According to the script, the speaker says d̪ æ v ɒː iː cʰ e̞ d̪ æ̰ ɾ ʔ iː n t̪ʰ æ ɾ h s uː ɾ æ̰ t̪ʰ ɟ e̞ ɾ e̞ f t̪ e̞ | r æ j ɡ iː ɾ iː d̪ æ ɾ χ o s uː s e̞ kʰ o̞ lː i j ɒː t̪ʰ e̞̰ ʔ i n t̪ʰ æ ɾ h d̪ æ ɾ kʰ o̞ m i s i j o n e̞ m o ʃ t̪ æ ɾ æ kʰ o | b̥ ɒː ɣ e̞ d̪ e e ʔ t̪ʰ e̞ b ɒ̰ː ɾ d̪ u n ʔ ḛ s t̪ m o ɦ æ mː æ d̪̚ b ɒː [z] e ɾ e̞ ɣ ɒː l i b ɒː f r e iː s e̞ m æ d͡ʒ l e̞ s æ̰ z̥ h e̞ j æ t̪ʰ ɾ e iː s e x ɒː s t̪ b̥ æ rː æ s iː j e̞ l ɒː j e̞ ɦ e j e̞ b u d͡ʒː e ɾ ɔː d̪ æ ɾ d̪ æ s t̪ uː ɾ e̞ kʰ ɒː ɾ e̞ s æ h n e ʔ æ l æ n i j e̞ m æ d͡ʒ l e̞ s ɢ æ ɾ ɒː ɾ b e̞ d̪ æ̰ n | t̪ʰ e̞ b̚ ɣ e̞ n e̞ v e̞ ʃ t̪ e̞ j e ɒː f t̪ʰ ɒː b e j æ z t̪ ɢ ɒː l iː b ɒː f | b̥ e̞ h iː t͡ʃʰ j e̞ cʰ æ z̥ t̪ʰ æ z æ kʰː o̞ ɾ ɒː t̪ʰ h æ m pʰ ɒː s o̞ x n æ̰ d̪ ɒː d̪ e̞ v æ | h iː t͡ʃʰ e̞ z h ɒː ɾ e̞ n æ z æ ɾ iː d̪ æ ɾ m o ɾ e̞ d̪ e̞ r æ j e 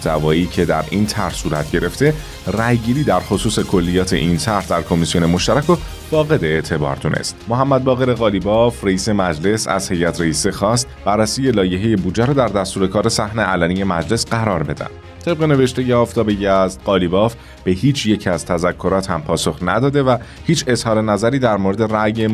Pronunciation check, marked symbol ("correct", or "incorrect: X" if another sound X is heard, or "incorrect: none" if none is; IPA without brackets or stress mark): incorrect: ɣ